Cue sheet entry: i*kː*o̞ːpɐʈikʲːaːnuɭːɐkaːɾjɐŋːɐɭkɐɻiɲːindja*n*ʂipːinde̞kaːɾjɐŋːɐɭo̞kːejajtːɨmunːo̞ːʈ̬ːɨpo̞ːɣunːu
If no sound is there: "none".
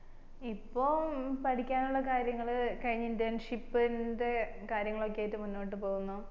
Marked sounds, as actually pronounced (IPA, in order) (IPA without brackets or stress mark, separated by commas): pː, n